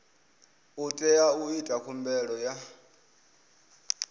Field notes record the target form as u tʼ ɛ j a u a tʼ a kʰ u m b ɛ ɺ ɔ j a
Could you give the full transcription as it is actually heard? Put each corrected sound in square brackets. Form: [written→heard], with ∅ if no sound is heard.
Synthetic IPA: u tʼ ɛ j a u [a→i] tʼ a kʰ u m b ɛ ɺ ɔ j a